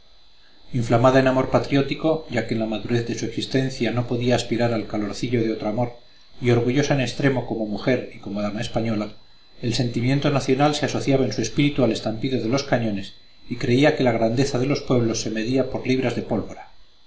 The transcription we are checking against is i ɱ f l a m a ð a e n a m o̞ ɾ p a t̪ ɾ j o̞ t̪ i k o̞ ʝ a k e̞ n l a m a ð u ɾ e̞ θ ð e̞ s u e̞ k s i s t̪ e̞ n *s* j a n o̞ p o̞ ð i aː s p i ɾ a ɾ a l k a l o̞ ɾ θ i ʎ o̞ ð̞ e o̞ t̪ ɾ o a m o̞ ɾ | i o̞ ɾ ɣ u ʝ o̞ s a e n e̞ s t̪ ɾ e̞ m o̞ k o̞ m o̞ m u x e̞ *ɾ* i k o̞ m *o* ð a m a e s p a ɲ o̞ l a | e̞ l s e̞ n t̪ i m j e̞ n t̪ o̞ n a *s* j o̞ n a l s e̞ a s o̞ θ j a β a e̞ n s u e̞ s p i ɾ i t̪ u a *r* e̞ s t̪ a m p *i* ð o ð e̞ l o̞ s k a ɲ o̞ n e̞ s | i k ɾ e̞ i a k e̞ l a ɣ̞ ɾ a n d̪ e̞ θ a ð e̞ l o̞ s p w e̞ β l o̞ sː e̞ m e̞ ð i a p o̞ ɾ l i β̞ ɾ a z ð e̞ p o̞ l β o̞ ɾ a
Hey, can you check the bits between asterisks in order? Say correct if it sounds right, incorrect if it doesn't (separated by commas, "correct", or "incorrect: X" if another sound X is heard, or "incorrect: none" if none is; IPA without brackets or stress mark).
incorrect: θ, correct, correct, incorrect: θ, incorrect: l, correct